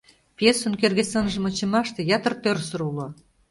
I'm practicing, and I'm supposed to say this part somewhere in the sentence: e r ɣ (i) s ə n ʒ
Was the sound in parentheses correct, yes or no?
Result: no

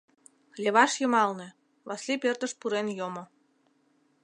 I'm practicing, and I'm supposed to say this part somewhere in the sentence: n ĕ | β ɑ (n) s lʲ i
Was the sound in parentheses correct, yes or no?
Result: no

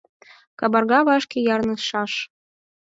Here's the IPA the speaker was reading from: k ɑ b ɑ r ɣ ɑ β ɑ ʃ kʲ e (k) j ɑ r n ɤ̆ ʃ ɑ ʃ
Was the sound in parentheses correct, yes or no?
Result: no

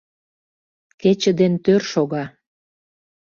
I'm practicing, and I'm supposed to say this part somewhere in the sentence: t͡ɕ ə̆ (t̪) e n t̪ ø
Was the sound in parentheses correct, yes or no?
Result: no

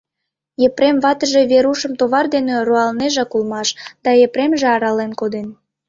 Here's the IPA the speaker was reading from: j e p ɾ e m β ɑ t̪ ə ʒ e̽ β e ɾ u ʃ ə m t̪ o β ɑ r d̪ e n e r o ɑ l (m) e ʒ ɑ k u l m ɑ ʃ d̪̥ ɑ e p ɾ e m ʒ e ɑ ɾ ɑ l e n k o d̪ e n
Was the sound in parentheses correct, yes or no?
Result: no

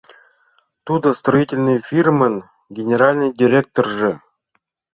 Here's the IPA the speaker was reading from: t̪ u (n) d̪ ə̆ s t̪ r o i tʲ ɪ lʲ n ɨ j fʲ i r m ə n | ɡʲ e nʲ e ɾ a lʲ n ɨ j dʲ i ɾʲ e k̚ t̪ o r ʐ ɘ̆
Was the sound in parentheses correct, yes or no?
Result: no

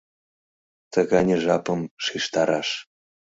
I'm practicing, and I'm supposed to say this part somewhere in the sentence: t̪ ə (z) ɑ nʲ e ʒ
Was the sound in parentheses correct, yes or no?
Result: no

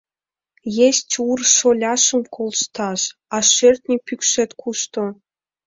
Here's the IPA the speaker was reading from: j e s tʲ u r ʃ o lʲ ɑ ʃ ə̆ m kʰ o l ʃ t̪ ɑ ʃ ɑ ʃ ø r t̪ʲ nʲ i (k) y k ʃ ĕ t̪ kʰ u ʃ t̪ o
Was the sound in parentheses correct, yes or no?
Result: no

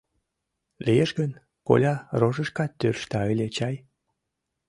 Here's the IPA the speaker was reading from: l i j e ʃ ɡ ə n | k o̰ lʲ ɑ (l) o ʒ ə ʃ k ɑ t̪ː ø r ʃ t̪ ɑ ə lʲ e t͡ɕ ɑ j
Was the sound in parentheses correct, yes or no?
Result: no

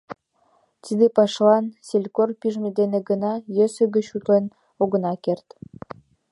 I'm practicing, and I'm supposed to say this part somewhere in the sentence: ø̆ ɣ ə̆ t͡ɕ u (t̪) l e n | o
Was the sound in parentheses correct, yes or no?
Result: yes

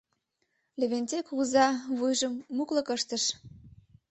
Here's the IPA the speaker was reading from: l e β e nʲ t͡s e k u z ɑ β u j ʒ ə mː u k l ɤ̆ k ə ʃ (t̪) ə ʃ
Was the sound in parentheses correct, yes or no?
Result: yes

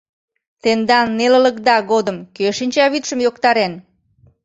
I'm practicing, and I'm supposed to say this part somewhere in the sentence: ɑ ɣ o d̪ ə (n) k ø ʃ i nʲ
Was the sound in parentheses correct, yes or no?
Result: no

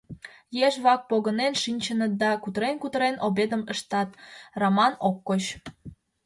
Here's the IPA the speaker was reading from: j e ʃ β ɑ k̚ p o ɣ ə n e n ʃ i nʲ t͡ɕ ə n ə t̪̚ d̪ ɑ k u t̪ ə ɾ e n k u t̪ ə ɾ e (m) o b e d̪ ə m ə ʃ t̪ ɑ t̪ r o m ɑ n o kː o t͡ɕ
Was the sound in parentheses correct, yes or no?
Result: no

